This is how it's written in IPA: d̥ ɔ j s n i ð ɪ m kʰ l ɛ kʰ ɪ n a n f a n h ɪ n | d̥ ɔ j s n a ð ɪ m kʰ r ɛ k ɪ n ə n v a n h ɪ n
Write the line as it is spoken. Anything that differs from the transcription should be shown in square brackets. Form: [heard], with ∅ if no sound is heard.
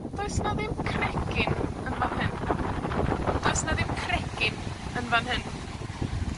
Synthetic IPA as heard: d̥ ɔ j s n [a] ð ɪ m kʰ [r] ɛ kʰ ɪ n [ə] n [v] a n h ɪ n | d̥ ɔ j s n a ð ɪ m kʰ r ɛ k ɪ n ə n v a n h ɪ n

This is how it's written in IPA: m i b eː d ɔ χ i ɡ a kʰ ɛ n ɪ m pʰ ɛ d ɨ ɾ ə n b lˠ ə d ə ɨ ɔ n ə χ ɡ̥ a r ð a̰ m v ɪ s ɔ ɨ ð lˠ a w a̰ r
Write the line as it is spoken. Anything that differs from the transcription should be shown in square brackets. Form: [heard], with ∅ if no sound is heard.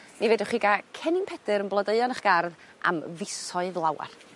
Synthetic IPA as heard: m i [v] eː d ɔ χ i ɡ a kʰ ɛ n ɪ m pʰ ɛ d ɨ ɾ ə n b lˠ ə d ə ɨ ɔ n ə χ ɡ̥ a r ð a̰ m v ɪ s ɔ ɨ ð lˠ a w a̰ r

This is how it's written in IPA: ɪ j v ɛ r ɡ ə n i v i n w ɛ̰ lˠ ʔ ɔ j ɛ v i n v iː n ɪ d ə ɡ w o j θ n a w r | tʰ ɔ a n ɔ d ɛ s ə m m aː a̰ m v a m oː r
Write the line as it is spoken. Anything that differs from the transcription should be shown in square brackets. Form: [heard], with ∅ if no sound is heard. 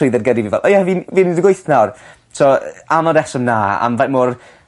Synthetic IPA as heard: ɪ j [ð] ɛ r ɡ ə [d] i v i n [v] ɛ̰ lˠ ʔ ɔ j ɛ v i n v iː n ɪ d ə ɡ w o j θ n a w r | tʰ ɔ a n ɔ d ɛ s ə m [n] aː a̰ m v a m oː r

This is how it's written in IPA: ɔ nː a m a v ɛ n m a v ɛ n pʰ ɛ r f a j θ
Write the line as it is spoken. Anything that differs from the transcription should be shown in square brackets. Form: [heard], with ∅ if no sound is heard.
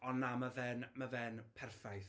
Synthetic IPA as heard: ɔ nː a m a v ɛ n m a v ɛ n pʰ ɛ r f a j θ

